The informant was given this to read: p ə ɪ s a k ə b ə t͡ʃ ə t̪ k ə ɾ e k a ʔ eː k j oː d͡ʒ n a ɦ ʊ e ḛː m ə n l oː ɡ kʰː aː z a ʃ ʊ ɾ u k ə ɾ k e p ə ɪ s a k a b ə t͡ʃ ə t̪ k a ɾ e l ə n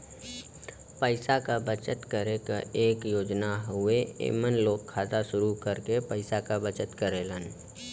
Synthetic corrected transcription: p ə ɪ s a k a b ə t͡ʃ ə t̪ k ə ɾ e k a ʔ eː k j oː d͡ʒ n a ɦ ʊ e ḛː m ə n l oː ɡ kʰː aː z a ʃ ʊ ɾ u k ə ɾ k e p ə ɪ s a k a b ə t͡ʃ ə t̪ k ə ɾ e l ə n

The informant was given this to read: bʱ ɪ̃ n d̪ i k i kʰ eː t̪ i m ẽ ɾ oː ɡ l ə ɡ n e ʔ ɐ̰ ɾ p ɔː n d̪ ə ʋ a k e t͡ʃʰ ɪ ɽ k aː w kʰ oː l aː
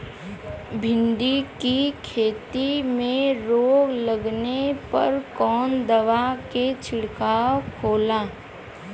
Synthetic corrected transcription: bʱ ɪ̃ n d̪ i k i kʰ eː t̪ i m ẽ ɾ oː ɡ l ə ɡ n e p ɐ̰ ɾ k ɔː n d̪ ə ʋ a k e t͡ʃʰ ɪ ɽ k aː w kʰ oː l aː

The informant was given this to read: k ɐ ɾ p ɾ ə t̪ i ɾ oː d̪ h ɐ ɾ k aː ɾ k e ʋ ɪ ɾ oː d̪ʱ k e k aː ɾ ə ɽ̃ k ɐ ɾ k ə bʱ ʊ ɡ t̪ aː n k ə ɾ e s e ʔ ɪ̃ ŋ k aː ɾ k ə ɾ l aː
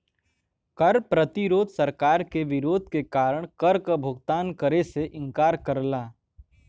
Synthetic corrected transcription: k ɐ ɾ p ɾ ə t̪ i ɾ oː d̪ s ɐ ɾ k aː ɾ k e ʋ ɪ ɾ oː d̪ʱ k e k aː ɾ ə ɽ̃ k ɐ ɾ k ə bʱ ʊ ɡ t̪ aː n k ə ɾ e s e ʔ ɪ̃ ŋ k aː ɾ k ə ɾ l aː

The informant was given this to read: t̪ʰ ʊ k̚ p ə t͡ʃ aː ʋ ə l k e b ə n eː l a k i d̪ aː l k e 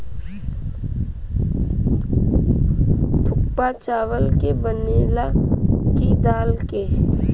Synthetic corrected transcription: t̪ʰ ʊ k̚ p a t͡ʃ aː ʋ ə l k e b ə n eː l a k i d̪ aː l k e

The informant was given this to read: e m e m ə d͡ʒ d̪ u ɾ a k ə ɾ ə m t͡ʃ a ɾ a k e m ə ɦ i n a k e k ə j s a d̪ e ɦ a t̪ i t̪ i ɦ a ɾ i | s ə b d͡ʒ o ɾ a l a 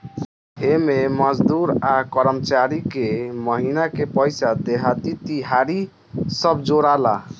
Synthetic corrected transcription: e m e m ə d͡ʒ d̪ u ɾ a k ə ɾ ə m t͡ʃ a ɾ i k e m ə ɦ i n a k e p ə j s a d̪ e ɦ a t̪ i t̪ i ɦ a ɾ i | s ə b d͡ʒ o ɾ a l a

